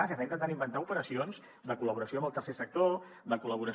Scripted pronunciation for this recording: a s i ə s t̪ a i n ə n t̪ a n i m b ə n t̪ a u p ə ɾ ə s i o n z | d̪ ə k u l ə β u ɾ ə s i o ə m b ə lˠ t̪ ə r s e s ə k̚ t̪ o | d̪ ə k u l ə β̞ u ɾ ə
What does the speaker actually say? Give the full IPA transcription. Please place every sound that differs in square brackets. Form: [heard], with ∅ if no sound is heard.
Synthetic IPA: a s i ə s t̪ a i n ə n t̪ a n i m b ə n t̪ a u p ə ɾ ə s i o n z | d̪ ə k u l ə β u ɾ ə s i o ə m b ə lˠ t̪ ə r s e s ə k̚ t̪ o | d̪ ə k u l ə β̞ u ɾ ə